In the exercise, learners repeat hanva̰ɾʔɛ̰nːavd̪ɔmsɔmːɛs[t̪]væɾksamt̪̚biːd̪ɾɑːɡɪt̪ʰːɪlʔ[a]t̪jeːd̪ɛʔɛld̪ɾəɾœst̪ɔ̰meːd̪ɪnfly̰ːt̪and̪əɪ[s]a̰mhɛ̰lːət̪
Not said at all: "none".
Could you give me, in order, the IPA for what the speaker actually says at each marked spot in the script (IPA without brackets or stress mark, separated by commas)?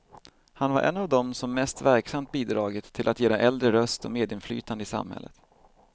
t̪, a, s